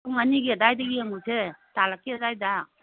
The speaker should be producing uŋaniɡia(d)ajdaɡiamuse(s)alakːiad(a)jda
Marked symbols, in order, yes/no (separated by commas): yes, no, yes